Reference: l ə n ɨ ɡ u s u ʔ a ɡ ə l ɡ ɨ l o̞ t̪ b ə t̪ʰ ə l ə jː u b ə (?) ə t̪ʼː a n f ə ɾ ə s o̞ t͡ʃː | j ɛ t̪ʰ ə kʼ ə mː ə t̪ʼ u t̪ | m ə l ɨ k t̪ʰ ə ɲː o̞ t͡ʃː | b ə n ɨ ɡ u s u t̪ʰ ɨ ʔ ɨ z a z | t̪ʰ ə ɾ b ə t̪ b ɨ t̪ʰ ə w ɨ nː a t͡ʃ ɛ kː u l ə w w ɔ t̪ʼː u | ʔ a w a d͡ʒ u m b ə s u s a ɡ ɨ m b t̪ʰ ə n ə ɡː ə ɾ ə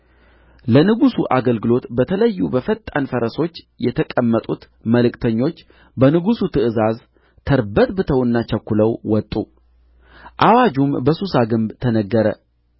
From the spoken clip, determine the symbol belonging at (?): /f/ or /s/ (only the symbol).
f